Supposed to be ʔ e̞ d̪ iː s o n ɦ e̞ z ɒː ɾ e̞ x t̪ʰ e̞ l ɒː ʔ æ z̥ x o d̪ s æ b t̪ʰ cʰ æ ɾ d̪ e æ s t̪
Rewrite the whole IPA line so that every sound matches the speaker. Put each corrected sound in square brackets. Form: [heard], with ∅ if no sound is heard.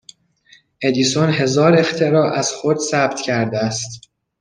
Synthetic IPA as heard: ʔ e̞ d̪ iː s o n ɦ e̞ z ɒː ɾ e̞ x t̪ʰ e̞ [ɾ] ɒː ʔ æ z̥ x o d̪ s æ b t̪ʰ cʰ æ ɾ d̪ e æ s t̪